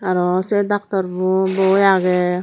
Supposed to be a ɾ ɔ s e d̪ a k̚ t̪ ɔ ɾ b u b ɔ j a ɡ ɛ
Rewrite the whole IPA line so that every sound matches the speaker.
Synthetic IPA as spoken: a ɾ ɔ s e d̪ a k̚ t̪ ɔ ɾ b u b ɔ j a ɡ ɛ